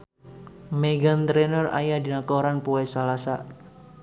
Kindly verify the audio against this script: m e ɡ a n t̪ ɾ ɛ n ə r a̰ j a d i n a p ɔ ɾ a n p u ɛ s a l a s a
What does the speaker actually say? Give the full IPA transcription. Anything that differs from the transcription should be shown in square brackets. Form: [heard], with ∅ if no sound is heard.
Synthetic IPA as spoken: m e ɡ a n t̪ ɾ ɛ n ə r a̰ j a d i n a [k] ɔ ɾ a n p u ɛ s a l a s a